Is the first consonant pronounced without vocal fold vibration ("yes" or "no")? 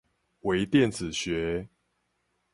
no